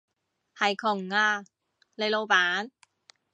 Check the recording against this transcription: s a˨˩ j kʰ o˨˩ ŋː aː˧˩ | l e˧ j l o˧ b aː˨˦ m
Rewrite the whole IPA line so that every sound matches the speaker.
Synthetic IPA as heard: h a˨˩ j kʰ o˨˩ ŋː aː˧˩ | l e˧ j l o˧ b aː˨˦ n